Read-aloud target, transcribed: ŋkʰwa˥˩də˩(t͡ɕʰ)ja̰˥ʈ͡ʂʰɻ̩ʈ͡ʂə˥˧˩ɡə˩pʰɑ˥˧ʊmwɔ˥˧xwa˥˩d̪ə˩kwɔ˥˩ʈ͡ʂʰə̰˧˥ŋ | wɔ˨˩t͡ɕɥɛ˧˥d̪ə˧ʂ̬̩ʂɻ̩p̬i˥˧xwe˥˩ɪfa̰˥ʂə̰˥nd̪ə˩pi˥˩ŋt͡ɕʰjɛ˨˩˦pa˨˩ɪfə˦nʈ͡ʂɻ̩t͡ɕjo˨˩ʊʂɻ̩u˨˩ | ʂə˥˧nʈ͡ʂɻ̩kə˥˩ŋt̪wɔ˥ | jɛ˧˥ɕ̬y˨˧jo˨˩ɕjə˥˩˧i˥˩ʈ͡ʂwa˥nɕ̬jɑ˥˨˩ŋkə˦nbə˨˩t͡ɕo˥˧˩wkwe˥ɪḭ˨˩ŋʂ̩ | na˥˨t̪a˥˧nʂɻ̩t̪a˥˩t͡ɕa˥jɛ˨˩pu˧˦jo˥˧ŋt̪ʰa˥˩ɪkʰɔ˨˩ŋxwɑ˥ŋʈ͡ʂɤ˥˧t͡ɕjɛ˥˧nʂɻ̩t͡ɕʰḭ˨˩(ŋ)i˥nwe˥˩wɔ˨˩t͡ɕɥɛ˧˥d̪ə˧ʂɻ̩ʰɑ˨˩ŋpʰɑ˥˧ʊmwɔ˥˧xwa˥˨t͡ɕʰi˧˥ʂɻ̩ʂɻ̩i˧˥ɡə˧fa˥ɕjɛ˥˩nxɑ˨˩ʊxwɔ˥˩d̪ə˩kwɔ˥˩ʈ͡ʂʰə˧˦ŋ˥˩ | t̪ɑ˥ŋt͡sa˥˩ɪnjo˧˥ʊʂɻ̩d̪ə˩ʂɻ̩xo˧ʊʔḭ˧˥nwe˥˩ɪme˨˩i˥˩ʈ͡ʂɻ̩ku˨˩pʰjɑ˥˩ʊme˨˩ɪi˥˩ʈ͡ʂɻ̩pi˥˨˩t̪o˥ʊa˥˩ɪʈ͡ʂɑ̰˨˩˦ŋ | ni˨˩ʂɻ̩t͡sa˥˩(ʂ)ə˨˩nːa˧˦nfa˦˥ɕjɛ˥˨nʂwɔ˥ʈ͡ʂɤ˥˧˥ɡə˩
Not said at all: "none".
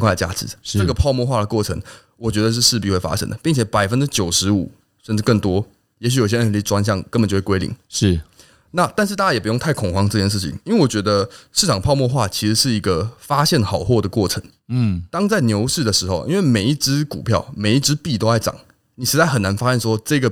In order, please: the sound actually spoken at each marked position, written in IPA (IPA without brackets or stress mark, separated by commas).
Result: t͡ɕ, ŋ, x